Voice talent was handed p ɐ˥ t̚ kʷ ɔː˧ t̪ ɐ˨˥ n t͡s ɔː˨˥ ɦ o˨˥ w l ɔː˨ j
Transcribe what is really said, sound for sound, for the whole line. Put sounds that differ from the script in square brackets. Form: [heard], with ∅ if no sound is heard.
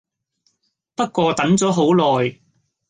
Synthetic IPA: p ɐ˥ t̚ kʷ ɔː˧ t̪ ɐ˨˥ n t͡s ɔː˨˥ ɦ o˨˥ w l ɔː˨ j